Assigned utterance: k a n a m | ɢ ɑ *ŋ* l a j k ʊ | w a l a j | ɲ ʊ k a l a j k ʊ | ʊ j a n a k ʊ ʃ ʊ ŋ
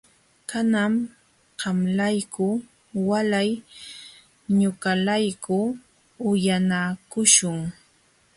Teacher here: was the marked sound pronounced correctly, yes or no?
no